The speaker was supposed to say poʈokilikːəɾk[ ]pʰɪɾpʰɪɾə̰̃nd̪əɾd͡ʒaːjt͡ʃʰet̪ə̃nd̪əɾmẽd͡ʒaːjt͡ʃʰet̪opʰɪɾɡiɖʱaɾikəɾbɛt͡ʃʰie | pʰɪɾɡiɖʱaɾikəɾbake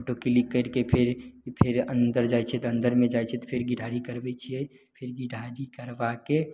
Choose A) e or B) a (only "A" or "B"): A